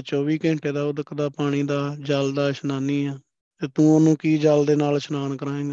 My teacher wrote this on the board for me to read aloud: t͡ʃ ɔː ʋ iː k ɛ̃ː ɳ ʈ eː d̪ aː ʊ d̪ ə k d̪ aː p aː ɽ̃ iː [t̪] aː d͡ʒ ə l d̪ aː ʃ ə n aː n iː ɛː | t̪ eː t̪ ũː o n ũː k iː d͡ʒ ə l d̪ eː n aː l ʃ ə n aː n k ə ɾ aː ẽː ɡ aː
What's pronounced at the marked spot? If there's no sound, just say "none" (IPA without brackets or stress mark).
d̪